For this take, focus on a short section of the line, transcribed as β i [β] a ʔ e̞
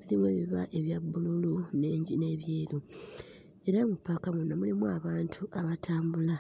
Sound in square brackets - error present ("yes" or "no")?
no